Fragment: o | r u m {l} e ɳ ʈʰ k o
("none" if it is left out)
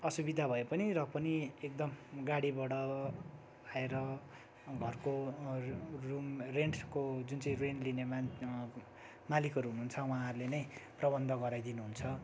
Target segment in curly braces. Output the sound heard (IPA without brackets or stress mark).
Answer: r